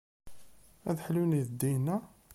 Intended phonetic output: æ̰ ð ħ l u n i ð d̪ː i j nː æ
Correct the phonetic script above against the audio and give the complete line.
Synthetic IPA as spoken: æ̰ ð ħ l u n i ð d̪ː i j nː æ